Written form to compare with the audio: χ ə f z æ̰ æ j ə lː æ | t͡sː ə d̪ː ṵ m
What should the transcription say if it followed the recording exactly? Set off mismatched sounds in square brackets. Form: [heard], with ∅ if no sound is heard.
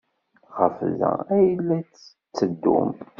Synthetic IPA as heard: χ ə f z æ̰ æ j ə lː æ | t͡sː ə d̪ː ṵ m